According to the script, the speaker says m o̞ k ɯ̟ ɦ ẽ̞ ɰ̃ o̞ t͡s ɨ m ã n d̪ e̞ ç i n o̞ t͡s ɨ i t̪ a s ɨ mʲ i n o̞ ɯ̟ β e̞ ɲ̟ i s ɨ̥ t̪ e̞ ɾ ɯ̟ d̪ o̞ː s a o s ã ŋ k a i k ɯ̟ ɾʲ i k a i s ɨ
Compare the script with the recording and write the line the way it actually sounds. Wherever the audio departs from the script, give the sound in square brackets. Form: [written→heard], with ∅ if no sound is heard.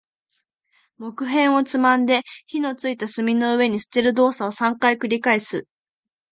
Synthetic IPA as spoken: m o̞ k ɯ̟ ɦ ẽ̞ ɰ̃ o̞ t͡s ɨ m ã n d̪ e̞ ç i n o̞ t͡s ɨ i t̪ a s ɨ mʲ i n o̞ ɯ̟ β e̞ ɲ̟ i s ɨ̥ t̪ e̞ ɾ ɯ̟ d̪ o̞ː s a o s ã ŋ k a i k ɯ̟ ɾʲ i k a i s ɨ

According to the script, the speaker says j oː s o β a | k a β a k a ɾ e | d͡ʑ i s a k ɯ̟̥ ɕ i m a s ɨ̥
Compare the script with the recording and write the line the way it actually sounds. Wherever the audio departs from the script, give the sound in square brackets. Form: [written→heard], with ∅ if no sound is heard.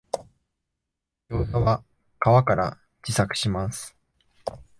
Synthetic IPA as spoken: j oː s o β a | k a β a k a ɾ [e→a] | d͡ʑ i s a k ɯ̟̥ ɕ i m a s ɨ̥

